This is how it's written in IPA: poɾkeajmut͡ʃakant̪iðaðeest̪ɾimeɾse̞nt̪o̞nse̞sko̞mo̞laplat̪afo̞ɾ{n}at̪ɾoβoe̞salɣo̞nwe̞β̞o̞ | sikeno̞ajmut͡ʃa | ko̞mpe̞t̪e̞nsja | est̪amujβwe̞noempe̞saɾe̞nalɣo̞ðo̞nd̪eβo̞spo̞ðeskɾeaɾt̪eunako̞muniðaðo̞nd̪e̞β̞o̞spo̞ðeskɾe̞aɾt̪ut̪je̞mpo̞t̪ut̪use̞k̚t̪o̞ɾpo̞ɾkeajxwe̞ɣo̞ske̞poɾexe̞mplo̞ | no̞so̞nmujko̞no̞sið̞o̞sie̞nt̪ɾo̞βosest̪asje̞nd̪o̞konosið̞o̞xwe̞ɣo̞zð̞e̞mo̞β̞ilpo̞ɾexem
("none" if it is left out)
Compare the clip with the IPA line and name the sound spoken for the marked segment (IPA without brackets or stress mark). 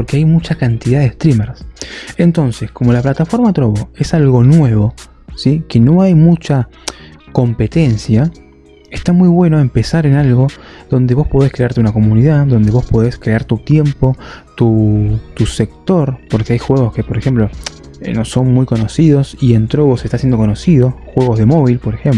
m